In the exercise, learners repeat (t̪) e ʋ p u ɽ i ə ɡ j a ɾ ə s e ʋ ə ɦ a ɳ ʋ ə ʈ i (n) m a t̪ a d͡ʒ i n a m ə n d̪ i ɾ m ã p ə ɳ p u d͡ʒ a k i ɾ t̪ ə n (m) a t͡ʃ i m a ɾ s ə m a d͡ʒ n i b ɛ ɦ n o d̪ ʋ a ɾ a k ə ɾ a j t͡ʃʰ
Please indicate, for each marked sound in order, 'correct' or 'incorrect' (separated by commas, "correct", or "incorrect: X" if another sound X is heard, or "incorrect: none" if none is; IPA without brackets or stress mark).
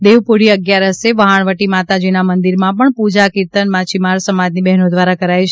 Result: incorrect: d̪, incorrect: none, correct